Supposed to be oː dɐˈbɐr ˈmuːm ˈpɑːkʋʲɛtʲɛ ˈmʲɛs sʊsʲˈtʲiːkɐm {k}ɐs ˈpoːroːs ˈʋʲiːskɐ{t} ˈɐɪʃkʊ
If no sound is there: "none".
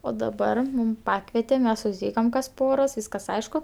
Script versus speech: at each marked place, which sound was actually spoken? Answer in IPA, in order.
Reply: k, s

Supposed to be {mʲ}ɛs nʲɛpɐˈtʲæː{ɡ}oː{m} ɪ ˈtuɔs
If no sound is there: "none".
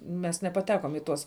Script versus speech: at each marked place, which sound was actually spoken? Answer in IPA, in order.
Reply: mʲ, k, m

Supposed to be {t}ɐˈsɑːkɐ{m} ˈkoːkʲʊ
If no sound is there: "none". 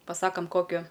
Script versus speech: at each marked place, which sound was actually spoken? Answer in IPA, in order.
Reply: p, m

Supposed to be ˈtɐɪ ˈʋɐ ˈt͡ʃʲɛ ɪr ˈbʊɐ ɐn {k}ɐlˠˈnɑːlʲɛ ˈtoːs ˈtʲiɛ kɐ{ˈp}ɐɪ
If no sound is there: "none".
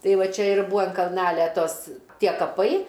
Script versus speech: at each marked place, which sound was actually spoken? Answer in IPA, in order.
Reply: k, p

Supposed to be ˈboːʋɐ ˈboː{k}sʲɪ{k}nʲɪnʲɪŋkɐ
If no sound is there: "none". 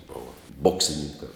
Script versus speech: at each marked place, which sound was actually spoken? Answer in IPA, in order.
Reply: k, none

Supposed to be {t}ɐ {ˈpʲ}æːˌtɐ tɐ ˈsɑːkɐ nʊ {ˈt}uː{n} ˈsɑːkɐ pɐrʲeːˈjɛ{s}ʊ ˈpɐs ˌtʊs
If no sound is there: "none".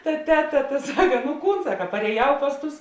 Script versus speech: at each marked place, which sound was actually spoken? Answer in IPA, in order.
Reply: t, tʲ, k, n, none

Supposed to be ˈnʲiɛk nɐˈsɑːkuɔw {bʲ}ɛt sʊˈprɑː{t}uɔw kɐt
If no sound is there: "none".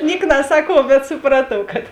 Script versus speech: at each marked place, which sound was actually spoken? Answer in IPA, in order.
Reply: bʲ, t

